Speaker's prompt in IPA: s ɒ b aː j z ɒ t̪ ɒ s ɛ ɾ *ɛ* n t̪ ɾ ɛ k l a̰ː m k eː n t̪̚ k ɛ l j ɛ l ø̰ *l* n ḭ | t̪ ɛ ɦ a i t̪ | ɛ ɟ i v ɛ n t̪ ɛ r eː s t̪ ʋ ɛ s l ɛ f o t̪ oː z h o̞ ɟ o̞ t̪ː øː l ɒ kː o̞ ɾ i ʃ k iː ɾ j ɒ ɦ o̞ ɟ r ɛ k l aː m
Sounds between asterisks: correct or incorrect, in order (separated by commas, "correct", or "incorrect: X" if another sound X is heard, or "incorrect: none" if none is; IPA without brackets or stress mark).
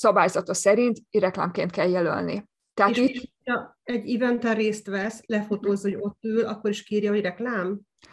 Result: incorrect: i, correct